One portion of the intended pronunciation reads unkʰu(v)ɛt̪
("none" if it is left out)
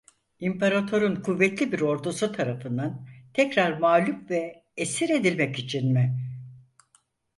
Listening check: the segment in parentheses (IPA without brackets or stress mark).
vː